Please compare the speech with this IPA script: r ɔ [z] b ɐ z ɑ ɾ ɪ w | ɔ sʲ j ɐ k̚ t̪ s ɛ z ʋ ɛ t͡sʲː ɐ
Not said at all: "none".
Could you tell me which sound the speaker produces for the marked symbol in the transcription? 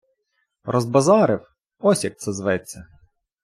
z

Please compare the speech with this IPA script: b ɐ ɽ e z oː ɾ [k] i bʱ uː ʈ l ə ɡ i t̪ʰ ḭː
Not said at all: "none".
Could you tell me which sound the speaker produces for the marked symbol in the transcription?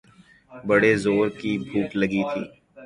k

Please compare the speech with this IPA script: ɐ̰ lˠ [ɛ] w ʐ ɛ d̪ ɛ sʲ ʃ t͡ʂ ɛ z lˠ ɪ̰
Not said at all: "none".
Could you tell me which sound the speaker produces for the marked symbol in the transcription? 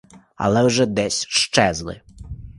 ɛ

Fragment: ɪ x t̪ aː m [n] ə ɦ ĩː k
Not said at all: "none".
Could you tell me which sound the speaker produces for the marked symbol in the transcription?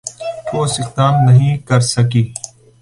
n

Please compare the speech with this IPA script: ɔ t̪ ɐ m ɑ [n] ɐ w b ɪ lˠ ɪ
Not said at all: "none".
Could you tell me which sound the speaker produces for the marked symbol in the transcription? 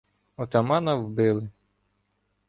n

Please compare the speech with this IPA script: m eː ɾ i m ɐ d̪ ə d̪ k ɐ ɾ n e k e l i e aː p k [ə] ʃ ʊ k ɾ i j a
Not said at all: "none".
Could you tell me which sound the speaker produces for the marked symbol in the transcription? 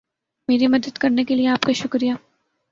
a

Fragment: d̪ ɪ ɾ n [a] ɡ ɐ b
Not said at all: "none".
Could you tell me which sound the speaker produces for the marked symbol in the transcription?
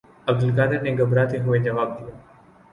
e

